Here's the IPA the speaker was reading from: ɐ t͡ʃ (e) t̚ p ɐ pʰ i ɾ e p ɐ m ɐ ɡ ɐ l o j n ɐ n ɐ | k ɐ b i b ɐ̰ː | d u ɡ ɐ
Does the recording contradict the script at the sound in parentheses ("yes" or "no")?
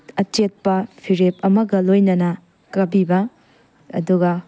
no